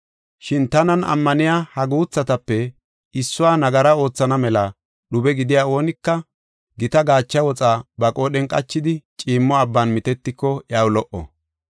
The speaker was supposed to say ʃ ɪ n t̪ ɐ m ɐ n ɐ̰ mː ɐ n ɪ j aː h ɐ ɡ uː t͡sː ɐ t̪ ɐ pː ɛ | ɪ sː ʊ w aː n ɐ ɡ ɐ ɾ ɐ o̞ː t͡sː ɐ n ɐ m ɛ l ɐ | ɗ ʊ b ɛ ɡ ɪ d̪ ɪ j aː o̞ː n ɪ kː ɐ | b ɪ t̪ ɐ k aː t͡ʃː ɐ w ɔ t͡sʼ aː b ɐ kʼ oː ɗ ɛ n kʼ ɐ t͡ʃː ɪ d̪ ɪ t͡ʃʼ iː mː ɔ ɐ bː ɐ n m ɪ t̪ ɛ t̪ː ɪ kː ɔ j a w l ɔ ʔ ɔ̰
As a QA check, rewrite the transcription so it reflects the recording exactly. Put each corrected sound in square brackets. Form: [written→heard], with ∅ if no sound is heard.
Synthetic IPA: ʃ ɪ n t̪ ɐ [m→n] ɐ n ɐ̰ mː ɐ n ɪ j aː h ɐ ɡ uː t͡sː ɐ t̪ ɐ pː ɛ | ɪ sː ʊ w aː n ɐ ɡ ɐ ɾ ɐ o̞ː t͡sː ɐ n ɐ m ɛ l ɐ | ɗ ʊ b ɛ ɡ ɪ d̪ ɪ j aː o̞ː n ɪ kː ɐ | [b→ɡ] ɪ t̪ ɐ [k→ɡ] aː t͡ʃː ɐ w ɔ t͡sʼ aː b ɐ kʼ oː ɗ ɛ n kʼ ɐ t͡ʃː ɪ d̪ ɪ t͡ʃʼ iː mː ɔ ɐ bː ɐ n m ɪ t̪ ɛ t̪ː ɪ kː ɔ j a w l ɔ ʔ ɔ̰